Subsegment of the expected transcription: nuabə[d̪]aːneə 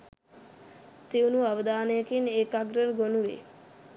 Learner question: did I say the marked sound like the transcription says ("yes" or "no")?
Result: yes